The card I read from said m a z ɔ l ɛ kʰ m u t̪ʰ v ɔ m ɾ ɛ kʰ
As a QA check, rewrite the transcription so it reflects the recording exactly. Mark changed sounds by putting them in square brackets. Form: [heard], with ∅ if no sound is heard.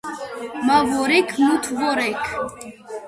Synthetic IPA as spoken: m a [v] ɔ [ɾ] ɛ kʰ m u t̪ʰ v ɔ [∅] ɾ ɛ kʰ